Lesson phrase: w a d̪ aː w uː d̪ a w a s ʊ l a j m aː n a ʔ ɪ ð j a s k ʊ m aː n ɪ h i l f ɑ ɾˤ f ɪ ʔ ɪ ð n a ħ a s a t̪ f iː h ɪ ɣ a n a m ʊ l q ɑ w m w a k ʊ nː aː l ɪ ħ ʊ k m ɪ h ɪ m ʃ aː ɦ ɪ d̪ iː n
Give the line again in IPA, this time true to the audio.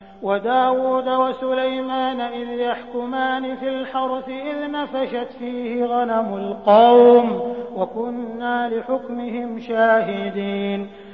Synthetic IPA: w a d̪ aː w uː d̪ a w a s ʊ l a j m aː n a ʔ ɪ ð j a ħ k ʊ m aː n ɪ f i l ħ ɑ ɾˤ f ɪ ʔ ɪ ð n a f a ʃ a t̪ f iː h ɪ ɣ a n a m ʊ l q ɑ w m w a k ʊ nː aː l ɪ ħ ʊ k m ɪ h ɪ m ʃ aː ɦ ɪ d̪ iː n